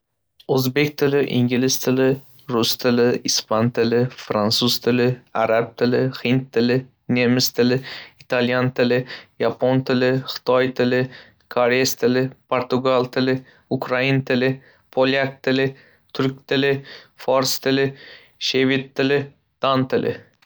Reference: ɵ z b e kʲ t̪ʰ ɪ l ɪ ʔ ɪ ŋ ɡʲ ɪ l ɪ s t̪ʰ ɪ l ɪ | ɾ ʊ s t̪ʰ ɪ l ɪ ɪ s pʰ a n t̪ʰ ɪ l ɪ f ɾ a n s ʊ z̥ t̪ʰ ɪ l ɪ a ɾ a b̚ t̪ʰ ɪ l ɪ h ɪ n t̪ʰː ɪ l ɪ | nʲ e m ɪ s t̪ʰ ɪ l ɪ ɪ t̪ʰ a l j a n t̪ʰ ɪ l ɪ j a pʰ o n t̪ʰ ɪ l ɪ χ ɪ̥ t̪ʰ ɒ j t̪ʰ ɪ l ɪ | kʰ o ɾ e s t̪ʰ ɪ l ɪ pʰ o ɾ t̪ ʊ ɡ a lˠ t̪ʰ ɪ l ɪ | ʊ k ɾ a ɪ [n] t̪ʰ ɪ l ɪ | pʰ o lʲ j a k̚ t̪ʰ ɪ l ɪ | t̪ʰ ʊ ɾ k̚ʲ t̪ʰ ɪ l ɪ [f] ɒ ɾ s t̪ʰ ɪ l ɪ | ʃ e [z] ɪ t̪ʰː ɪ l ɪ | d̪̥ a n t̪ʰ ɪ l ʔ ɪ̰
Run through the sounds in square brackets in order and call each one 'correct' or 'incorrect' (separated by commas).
correct, correct, incorrect